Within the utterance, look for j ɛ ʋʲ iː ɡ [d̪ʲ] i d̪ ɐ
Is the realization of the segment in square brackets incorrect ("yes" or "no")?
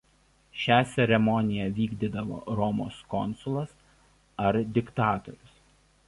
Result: no